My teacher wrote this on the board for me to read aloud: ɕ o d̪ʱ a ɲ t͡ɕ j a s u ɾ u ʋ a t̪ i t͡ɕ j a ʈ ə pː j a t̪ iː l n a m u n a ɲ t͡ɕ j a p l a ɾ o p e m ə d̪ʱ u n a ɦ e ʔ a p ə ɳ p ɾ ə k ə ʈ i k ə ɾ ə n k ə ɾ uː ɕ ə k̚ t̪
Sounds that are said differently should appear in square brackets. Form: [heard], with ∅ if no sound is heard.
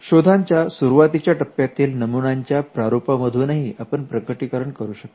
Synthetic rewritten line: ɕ o d̪ʱ a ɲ t͡ɕ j a s u ɾ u ʋ a t̪ i t͡ɕ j a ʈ ə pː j a t̪ iː l n [ə] m u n a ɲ t͡ɕ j a p [ɾ] a ɾ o p [a] m ə d̪ʱ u n a ɦ [i] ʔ a p ə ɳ p ɾ ə k ə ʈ i k ə ɾ ə [ɳ] k ə ɾ uː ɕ ə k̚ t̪